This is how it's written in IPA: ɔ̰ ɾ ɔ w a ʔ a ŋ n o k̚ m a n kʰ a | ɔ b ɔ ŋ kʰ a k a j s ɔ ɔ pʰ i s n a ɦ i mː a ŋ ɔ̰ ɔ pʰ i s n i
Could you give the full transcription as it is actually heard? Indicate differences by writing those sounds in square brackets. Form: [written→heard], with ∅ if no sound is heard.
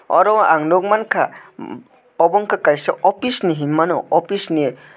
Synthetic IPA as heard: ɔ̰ ɾ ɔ w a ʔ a ŋ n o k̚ m a n kʰ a | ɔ b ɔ ŋ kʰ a k a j s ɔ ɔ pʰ i s n [a→i] ɦ i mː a [ŋ→n] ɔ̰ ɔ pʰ i s n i